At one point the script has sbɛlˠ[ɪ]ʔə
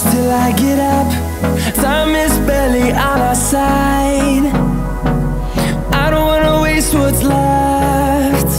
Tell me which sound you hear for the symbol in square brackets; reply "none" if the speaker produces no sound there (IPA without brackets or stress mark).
i